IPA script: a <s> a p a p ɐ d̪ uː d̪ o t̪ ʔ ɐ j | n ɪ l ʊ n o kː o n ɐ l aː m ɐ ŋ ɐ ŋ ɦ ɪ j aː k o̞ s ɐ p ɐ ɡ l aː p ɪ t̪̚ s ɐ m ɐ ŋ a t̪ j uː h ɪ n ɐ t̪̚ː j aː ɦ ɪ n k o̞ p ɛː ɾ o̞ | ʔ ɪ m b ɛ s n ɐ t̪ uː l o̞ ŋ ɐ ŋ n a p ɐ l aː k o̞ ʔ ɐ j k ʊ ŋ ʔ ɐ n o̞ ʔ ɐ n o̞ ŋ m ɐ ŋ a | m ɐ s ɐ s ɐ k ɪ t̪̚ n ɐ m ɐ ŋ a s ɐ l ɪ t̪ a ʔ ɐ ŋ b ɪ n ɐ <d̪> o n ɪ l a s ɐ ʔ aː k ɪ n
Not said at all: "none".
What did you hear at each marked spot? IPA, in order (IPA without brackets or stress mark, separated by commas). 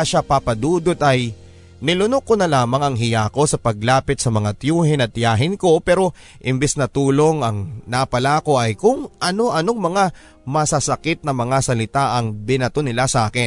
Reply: ʃ, t̪